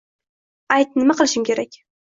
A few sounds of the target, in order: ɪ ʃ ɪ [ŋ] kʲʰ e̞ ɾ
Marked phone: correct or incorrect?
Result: incorrect